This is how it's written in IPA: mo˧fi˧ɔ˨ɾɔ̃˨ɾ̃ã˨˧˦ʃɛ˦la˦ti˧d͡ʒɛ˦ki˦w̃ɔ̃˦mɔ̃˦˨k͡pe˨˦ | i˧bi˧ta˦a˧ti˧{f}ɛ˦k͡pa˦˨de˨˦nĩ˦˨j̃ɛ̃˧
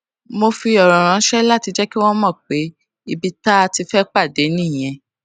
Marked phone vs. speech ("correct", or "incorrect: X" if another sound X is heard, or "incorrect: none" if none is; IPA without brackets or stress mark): correct